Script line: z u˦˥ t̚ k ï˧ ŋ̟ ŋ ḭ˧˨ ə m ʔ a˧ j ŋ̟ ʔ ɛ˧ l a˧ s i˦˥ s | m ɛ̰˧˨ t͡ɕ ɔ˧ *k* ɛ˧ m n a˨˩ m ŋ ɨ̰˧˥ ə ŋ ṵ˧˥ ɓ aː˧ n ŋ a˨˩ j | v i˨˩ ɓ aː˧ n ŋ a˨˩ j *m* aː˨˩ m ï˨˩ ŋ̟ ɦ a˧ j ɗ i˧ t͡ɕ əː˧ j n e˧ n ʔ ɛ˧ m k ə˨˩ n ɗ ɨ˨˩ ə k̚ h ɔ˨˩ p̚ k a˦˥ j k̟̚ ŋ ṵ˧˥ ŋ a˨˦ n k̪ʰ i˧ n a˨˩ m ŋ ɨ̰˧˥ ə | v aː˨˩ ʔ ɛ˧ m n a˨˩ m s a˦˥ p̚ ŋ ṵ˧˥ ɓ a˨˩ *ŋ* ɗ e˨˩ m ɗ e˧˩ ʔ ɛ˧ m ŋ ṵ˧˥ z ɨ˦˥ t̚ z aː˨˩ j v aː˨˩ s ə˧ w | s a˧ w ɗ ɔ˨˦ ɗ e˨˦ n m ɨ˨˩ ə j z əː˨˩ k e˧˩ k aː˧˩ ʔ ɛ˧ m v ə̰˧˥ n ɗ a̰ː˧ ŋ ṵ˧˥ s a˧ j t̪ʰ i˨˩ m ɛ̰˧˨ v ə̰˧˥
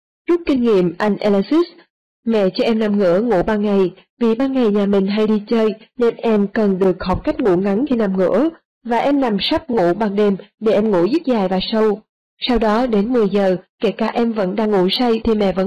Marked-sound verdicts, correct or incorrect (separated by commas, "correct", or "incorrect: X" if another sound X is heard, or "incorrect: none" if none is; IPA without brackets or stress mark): incorrect: ʔ, incorrect: ɲ, correct